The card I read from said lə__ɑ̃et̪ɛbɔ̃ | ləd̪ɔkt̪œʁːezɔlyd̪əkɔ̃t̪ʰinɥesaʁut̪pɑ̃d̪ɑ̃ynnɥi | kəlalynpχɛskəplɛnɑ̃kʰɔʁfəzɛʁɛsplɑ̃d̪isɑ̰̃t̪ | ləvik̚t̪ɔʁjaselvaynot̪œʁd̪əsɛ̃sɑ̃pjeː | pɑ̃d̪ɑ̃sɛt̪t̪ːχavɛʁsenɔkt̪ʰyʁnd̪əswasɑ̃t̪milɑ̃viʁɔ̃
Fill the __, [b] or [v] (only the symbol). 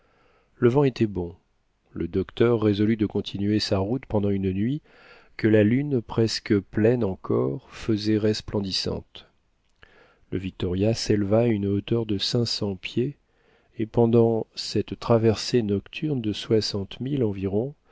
v